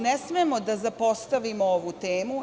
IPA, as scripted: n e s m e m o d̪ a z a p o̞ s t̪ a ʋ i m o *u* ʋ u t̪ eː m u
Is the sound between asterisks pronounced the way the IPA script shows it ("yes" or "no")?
no